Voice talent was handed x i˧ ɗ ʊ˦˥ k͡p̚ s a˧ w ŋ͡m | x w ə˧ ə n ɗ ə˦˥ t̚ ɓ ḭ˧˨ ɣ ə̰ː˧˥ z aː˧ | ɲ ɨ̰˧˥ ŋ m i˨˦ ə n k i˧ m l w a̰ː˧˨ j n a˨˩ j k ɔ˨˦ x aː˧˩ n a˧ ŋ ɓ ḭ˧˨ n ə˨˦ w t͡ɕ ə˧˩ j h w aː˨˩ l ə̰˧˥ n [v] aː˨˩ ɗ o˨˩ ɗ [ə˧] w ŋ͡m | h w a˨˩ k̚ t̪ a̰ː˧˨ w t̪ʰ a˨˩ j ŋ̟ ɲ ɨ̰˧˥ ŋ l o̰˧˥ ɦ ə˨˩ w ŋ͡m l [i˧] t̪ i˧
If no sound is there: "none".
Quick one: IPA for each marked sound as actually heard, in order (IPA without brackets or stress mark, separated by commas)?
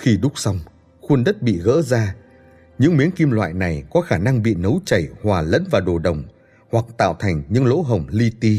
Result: v, ə˨˩, i˧